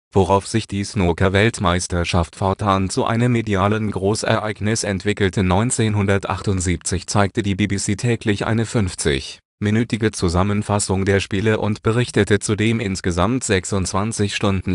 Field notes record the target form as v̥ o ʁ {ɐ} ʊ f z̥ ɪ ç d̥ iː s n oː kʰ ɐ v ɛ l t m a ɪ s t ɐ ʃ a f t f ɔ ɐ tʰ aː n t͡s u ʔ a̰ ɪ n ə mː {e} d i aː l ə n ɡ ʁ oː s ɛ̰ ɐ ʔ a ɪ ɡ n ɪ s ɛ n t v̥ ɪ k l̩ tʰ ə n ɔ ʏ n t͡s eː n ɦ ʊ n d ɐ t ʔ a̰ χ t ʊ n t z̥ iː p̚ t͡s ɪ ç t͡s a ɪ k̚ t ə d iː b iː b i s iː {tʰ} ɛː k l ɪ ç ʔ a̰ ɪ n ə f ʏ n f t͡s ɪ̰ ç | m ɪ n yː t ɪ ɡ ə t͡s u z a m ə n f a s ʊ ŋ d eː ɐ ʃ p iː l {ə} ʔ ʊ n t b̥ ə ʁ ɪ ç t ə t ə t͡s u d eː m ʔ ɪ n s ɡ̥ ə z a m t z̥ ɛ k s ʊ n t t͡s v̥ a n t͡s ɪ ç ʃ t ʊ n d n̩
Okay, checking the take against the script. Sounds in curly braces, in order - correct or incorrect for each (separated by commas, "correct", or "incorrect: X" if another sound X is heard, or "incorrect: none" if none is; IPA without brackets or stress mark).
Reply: incorrect: a, correct, correct, correct